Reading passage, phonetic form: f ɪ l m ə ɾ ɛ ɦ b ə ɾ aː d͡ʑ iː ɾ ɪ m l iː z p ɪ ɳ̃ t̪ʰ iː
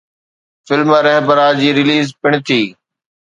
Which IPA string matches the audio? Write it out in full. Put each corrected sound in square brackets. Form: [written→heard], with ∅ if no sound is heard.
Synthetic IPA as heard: f ɪ l m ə ɾ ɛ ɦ b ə ɾ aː d͡ʑ iː ɾ ɪ [m→∅] l iː z p ɪ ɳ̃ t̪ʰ iː